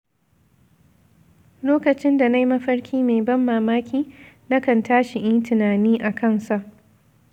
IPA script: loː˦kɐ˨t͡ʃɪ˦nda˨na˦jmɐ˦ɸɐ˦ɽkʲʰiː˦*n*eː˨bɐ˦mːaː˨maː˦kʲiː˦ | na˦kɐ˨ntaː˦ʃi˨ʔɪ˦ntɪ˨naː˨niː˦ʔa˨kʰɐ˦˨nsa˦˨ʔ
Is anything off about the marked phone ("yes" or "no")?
yes